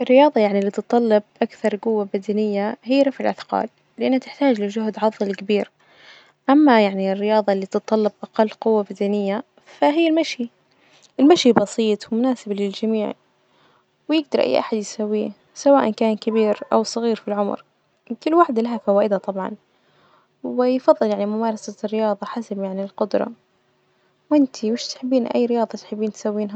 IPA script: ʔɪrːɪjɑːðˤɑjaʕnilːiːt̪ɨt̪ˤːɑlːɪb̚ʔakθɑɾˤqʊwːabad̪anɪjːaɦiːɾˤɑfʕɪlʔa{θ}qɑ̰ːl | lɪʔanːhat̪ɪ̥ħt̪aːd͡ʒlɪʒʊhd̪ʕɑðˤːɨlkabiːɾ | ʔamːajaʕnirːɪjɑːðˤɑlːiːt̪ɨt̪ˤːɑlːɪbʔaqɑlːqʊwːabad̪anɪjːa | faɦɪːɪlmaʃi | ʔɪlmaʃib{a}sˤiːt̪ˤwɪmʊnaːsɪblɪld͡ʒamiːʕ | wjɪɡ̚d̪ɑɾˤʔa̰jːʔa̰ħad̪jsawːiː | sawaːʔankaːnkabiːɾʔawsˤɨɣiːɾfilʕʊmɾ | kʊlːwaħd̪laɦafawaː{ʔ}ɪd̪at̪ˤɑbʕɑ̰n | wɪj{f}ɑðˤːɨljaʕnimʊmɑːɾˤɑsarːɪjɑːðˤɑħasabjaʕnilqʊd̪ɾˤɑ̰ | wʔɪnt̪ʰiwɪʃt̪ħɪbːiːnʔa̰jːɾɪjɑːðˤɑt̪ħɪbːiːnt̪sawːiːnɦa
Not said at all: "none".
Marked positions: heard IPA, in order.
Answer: θ, ɑ, ʔ, f

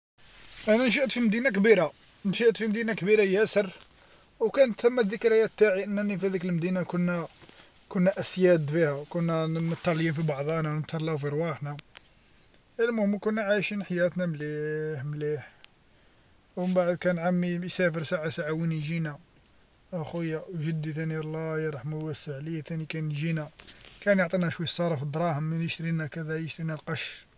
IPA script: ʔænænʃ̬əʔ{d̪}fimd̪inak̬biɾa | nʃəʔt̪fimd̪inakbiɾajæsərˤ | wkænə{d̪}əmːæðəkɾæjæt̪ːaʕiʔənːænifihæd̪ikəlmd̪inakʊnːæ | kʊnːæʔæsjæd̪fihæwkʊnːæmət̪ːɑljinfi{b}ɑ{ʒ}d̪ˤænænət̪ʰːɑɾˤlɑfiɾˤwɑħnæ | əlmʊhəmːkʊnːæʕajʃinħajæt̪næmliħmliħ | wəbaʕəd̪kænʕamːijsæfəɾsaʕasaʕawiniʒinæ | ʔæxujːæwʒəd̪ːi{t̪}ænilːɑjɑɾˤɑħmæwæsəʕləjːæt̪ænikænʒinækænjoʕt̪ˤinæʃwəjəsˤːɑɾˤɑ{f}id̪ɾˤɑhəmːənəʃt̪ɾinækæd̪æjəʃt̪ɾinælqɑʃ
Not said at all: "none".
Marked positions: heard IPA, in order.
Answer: t̪, t̪, b, ʕ, t̪, f

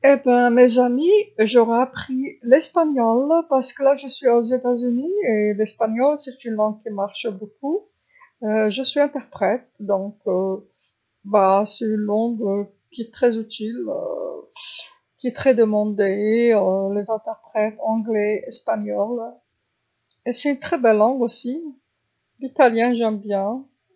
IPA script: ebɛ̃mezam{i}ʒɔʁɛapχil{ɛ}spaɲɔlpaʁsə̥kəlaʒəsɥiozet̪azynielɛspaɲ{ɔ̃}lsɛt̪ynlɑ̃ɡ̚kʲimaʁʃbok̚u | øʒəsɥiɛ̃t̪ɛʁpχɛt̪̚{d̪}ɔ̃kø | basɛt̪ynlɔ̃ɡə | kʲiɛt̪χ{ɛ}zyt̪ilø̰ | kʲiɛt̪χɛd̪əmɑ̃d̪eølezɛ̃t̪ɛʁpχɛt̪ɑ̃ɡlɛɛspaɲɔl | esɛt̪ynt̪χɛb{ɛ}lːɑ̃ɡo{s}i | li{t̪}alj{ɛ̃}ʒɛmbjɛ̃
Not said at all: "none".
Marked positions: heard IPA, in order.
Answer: i, ɛ, ɔ, d̪, ɛ, ɛ, s, t̪, ɛ̃

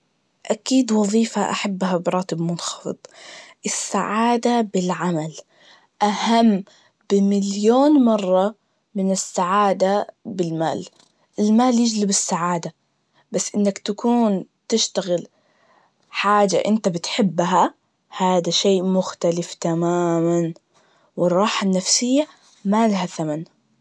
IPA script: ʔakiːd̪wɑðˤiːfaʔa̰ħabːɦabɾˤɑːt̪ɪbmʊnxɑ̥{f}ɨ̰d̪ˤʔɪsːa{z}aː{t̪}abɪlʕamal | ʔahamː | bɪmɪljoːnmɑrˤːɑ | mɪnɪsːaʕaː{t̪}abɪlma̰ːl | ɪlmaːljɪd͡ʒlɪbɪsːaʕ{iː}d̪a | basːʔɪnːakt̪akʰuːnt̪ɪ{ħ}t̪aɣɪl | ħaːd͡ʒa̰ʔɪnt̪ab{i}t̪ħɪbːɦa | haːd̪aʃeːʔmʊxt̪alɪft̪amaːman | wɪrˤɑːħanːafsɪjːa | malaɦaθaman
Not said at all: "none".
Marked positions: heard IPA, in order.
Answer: f, ʕ, d̪, d̪, aː, ʃ, ɪ

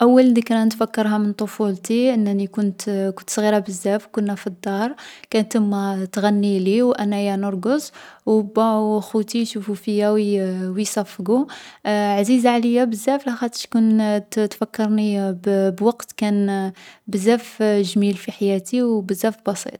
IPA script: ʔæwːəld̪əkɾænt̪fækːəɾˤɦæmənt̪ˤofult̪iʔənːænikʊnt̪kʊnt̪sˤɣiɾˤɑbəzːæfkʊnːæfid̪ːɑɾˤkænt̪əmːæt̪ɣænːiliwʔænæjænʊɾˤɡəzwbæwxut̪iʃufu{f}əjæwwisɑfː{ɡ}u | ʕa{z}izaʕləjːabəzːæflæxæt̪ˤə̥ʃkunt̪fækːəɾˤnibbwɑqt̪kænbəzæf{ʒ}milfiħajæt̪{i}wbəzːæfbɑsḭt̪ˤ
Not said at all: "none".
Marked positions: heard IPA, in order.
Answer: f, ɡ, z, ʒ, i

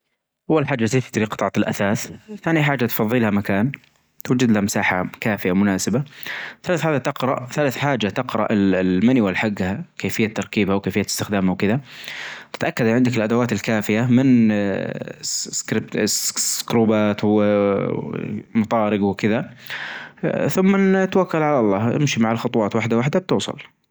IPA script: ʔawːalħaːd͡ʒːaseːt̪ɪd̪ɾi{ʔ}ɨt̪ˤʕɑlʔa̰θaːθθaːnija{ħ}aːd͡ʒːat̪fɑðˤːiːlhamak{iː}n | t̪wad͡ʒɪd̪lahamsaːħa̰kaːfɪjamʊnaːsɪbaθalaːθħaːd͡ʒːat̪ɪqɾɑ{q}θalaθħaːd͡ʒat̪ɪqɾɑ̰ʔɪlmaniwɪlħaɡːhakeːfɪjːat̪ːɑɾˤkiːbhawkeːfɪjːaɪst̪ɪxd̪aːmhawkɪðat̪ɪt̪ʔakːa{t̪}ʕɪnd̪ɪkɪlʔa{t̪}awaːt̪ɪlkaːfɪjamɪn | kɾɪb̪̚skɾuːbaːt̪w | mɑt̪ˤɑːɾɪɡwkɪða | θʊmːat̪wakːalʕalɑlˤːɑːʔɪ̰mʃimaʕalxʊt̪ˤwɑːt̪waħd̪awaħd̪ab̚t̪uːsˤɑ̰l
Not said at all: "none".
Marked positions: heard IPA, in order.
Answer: q, ħ, aː, ʔ, d̪, d̪

